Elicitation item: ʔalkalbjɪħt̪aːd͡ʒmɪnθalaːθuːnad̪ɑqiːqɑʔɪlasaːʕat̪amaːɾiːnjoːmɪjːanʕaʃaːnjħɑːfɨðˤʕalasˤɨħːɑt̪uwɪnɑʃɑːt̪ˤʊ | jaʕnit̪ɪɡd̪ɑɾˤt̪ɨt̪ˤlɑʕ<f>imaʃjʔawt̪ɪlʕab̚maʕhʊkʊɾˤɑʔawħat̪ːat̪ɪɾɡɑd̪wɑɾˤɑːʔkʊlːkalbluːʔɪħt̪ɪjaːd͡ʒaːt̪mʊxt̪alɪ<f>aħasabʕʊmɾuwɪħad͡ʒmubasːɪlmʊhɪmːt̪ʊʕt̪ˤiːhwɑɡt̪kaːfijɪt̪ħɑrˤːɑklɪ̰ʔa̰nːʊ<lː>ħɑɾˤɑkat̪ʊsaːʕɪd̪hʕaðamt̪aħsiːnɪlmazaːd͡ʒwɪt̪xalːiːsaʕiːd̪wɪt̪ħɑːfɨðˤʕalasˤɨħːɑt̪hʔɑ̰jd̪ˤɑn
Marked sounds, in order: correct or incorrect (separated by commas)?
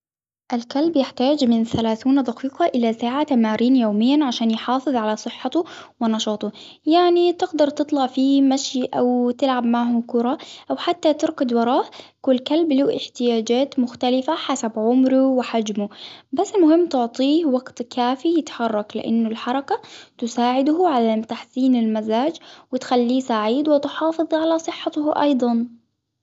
correct, correct, incorrect